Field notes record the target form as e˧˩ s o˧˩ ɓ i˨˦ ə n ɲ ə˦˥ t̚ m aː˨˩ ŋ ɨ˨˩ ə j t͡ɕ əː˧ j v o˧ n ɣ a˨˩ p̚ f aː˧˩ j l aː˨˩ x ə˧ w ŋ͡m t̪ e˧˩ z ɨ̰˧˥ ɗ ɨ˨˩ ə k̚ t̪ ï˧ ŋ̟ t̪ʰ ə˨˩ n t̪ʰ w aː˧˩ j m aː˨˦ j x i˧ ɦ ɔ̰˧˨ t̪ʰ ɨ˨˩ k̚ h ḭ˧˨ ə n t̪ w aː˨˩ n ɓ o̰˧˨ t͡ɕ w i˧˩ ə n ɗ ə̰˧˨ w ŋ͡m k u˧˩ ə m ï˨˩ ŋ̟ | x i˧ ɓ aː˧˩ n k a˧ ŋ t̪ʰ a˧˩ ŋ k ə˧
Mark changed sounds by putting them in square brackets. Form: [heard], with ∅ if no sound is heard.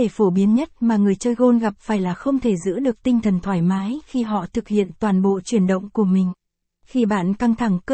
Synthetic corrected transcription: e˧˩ [f] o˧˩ ɓ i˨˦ ə n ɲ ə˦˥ t̚ m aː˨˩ ŋ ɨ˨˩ ə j t͡ɕ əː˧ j [ɣ] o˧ n ɣ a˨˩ p̚ f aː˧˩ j l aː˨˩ x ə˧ w ŋ͡m [t̪ʰ] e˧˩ z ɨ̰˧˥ ɗ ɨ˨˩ ə k̚ t̪ ï˧ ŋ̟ t̪ʰ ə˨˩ n t̪ʰ w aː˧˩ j m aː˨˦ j x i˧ ɦ ɔ̰˧˨ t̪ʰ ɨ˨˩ k̚ h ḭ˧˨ ə n t̪ w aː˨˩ n ɓ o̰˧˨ t͡ɕ w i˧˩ ə n ɗ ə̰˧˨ w ŋ͡m k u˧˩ ə m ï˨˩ ŋ̟ | x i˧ ɓ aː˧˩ n k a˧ ŋ t̪ʰ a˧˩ ŋ k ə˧